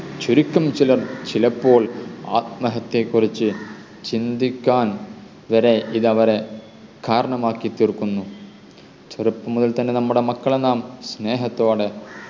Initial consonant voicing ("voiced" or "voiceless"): voiceless